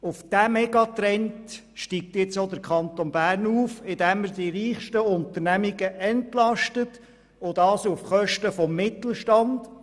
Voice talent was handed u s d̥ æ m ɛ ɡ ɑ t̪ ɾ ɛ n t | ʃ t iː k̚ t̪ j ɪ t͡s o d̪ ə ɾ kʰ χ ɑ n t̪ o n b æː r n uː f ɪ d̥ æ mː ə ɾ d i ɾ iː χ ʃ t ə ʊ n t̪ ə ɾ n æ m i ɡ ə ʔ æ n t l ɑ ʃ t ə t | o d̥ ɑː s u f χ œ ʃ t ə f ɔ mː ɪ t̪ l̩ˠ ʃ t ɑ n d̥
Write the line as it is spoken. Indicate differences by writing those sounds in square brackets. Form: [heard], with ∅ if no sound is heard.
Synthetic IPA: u [f] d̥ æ m ɛ ɡ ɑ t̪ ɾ ɛ n t | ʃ t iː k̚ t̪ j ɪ t͡s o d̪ ə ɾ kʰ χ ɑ n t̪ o n b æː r n uː f ɪ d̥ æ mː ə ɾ d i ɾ iː χ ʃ t ə ʊ n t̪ ə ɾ n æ m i ɡ ə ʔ [ɛ] n t l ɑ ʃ t ə t | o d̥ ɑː s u f χ œ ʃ t ə f ɔ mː ɪ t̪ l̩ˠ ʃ t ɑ n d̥